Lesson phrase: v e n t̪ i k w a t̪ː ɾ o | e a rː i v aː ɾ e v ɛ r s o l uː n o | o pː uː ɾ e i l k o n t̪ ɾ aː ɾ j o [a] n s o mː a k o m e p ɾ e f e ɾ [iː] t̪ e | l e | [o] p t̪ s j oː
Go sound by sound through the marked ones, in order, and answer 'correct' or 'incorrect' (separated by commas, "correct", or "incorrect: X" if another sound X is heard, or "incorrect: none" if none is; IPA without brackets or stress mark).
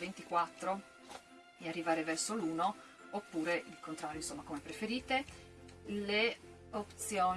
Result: incorrect: i, correct, correct